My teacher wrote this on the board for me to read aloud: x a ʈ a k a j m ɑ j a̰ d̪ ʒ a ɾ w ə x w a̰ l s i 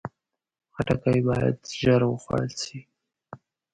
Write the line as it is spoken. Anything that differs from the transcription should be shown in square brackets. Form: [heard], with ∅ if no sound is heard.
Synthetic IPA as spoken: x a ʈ a k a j [b] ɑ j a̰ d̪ ʒ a ɾ w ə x w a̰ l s i